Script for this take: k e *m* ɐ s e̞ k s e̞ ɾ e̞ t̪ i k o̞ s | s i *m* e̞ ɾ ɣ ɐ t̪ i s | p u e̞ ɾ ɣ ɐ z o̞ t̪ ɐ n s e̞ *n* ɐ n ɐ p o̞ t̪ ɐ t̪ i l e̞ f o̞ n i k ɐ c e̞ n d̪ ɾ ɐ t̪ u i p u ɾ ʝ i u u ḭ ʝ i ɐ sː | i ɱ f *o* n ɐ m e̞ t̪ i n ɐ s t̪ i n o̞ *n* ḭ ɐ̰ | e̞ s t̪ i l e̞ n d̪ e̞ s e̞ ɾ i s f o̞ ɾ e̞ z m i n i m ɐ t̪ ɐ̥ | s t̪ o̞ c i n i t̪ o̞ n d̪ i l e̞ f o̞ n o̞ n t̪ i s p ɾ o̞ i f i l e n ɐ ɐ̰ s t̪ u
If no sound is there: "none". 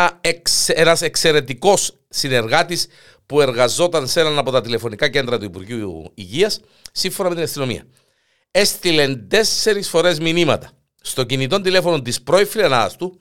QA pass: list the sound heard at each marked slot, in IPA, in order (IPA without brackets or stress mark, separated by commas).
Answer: n, n, n, o, m